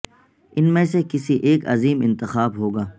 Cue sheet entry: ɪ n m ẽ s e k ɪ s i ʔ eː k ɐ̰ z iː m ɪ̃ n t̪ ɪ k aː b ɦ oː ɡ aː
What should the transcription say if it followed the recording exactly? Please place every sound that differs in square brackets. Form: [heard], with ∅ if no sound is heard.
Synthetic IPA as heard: ɪ n m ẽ s e k ɪ s i ʔ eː k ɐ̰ z iː m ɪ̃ n t̪ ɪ [x] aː b ɦ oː ɡ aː